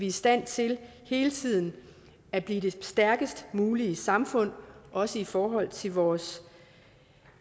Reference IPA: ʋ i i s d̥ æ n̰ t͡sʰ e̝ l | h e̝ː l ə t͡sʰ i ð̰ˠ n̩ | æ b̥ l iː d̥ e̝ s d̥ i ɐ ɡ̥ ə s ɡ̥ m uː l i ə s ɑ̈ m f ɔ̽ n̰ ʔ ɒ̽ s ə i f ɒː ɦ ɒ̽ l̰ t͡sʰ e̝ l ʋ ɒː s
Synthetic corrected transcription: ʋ i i s d̥ æ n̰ t͡sʰ e̝ l | h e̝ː l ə t͡sʰ i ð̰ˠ n̩ | æ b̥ l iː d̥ e̝ s d̥ æ ɐ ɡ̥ ə s d̥ m uː l i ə s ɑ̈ m f ɔ̽ n̰ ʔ ɒ̽ s ə i f ɒː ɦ ɒ̽ l̰ t͡sʰ e̝ l ʋ ɒː s